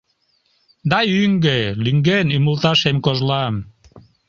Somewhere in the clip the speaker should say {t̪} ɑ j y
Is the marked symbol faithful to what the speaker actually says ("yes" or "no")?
no